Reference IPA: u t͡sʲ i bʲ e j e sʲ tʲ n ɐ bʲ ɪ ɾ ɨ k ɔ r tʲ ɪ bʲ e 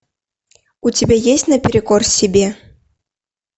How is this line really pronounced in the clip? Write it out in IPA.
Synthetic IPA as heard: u t͡sʲ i bʲ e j e sʲ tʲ n ɐ pʲ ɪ ɾ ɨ k ɔ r sʲ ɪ bʲ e